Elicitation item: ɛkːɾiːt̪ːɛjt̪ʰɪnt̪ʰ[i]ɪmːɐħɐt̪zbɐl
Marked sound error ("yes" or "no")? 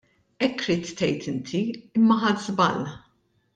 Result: no